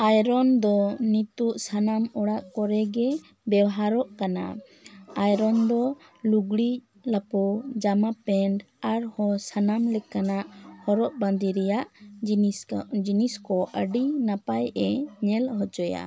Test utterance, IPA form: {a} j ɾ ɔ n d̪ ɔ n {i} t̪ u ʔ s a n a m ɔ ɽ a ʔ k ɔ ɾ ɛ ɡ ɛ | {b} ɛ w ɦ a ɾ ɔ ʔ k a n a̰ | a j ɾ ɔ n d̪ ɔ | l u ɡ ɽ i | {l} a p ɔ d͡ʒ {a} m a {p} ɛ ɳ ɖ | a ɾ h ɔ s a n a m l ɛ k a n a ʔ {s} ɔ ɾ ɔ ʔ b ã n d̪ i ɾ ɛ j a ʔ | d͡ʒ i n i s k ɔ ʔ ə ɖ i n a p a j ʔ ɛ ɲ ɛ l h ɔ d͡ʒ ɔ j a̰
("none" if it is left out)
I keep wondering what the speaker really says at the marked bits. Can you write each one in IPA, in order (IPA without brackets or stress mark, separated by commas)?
a, i, b, l, a, p, h